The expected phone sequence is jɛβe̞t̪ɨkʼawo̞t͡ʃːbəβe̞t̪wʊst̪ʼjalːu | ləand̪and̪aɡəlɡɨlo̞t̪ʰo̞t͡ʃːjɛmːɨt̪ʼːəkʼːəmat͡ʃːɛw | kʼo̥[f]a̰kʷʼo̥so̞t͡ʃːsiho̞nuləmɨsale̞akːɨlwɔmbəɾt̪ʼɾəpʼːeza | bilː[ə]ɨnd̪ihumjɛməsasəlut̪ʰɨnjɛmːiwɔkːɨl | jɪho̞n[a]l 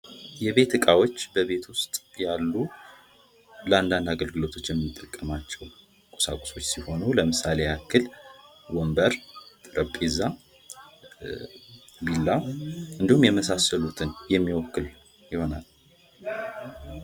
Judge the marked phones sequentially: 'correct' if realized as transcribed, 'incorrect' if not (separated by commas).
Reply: incorrect, incorrect, correct